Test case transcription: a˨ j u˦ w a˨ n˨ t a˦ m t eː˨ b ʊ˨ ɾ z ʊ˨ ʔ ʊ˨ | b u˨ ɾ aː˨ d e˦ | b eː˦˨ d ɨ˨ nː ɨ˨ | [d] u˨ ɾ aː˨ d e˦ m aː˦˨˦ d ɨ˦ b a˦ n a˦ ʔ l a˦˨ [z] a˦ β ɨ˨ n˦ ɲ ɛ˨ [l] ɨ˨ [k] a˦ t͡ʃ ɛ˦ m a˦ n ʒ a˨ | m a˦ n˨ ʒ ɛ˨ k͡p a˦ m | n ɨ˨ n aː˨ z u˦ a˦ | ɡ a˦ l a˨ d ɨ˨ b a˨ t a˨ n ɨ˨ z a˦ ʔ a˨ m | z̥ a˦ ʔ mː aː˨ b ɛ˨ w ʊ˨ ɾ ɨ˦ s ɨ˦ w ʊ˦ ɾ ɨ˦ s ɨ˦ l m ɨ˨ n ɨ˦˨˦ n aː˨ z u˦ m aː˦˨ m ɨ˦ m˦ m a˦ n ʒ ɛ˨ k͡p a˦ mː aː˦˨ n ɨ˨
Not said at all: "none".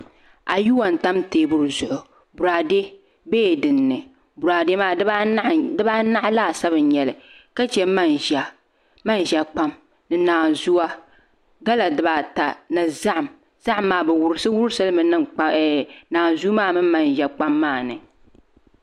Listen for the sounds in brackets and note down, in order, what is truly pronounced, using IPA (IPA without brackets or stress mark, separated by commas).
b, s, l, k